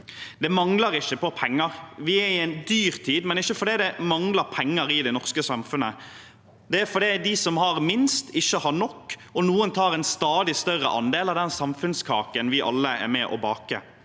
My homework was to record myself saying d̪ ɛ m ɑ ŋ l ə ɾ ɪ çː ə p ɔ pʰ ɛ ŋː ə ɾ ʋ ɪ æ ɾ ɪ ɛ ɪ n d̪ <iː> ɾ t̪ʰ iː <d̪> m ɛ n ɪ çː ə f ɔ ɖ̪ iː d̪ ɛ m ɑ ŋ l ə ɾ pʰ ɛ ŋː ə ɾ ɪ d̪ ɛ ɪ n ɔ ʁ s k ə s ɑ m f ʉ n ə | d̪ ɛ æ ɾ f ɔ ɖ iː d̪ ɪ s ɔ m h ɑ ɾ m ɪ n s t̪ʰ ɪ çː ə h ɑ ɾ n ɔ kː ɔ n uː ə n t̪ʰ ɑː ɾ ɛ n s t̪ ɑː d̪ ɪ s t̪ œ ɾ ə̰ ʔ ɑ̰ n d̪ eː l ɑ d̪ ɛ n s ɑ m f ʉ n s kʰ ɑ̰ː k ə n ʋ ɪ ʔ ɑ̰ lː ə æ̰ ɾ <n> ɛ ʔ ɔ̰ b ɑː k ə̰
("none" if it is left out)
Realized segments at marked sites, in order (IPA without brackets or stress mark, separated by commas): yː, d̪, m